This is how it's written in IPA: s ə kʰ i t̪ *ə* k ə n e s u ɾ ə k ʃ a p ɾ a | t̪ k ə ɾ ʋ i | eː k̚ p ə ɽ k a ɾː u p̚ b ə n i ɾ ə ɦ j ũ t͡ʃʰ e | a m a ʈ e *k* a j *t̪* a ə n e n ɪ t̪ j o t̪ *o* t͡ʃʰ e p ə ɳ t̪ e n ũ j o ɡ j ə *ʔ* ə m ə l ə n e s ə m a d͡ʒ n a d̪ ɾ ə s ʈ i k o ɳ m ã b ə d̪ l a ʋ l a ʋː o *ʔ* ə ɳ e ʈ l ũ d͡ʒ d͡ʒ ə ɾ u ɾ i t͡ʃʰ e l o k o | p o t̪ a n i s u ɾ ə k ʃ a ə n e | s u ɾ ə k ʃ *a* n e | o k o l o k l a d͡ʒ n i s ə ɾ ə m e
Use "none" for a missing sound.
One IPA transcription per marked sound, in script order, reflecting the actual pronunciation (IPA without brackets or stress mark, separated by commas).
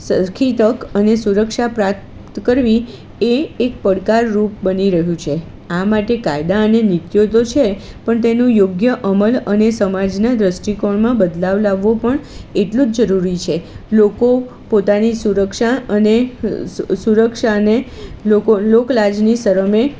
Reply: ə, k, d̪, o, ʔ, p, a